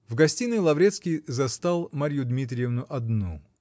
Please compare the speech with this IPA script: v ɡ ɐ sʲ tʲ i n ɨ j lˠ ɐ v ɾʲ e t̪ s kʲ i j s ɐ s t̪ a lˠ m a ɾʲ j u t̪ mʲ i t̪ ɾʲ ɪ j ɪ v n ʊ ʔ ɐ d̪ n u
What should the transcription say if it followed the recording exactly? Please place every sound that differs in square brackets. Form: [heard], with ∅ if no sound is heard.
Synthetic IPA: v ɡ ɐ sʲ tʲ i n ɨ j lˠ ɐ v ɾʲ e t̪ s kʲ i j [z] ɐ s t̪ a lˠ m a ɾʲ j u [d̪] mʲ i t̪ ɾʲ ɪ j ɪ v n ʊ ʔ ɐ d̪ n u